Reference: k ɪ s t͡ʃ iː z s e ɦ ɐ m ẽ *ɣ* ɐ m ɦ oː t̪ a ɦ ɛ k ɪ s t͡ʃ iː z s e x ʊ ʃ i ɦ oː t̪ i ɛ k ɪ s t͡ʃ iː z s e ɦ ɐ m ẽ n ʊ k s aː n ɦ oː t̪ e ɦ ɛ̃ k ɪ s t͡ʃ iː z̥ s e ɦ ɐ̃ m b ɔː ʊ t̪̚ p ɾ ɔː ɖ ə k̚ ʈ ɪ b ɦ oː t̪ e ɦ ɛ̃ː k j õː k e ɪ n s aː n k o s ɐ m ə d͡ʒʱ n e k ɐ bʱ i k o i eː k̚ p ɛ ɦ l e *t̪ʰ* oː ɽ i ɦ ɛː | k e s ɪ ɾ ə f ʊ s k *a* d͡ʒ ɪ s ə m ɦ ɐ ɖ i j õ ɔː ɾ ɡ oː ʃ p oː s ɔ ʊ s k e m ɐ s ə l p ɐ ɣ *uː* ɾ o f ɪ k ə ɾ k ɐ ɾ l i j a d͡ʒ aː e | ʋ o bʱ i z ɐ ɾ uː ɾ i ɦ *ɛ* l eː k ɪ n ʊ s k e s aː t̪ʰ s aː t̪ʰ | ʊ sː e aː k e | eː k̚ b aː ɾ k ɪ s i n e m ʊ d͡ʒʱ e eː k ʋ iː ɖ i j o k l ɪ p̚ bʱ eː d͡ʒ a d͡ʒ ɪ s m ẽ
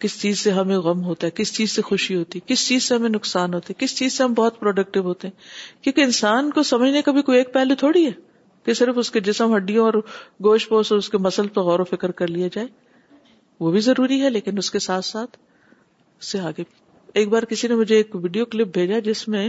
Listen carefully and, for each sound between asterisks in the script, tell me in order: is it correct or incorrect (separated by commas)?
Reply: correct, correct, incorrect, incorrect, correct